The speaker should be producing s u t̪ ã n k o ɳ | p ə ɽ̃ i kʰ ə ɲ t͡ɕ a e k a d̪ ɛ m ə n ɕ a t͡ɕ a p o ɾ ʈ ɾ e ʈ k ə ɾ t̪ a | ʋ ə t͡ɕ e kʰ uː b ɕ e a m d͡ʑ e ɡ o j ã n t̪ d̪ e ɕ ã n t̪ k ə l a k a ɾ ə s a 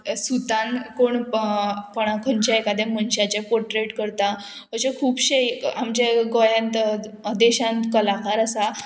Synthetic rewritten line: s u t̪ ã n k o ɳ | p ə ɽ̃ a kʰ ə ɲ t͡ɕ a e k a d̪ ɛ m ə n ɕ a t͡ɕ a p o ɾ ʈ ɾ e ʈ k ə ɾ t̪ a | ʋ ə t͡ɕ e kʰ uː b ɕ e a m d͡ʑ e ɡ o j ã n t̪ d̪ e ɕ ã n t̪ k ə l a k a ɾ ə s a